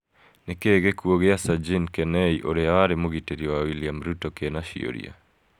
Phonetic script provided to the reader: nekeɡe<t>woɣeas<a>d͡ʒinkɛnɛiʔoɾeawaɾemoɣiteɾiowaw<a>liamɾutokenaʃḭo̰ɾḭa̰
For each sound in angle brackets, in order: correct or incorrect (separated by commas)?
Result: incorrect, correct, incorrect